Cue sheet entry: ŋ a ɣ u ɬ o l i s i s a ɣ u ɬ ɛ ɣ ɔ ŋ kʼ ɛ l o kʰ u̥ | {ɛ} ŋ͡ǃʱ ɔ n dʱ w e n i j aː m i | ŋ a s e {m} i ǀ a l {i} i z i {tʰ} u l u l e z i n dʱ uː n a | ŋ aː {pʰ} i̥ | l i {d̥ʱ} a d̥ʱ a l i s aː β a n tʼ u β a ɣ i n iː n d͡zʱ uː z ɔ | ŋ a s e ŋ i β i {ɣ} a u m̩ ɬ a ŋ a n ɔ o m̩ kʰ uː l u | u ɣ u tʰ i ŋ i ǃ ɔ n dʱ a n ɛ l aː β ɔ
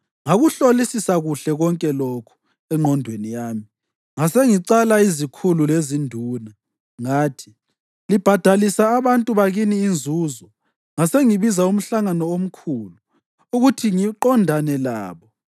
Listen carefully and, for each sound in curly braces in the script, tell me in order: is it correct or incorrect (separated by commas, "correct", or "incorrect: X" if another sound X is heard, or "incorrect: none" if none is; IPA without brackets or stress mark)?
correct, incorrect: ŋ, incorrect: a, incorrect: kʰ, incorrect: tʰ, incorrect: b̥ʱ, incorrect: z